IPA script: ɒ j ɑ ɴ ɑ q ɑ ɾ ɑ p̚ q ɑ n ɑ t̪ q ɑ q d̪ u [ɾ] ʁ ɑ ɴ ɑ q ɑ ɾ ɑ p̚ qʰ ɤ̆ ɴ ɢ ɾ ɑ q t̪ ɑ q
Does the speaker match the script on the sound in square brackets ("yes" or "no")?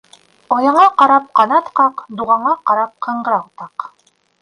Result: no